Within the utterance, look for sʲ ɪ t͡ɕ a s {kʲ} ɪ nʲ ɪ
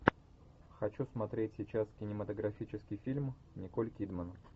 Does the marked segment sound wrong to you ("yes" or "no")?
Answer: no